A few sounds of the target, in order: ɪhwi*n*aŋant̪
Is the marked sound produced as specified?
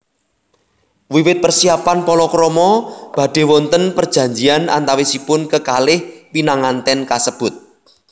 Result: yes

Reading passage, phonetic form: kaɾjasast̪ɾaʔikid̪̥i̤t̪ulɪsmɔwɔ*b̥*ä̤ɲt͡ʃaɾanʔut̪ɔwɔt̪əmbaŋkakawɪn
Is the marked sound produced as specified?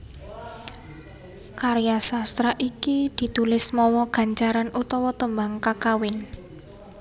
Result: no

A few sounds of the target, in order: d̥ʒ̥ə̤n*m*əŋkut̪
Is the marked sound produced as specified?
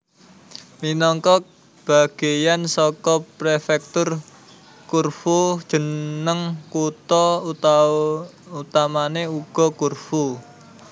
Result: no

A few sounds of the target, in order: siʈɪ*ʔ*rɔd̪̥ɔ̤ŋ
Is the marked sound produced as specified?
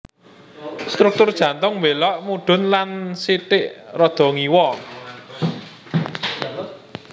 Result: yes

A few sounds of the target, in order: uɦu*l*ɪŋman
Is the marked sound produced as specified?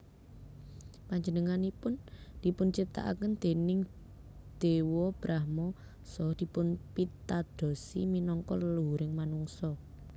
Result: no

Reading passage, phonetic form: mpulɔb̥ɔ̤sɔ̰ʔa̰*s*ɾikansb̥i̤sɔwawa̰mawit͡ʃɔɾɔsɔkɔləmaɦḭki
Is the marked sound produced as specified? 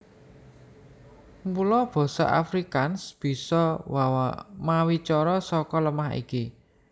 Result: no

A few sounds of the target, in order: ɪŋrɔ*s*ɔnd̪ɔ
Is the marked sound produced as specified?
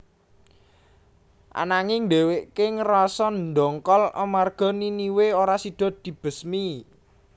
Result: yes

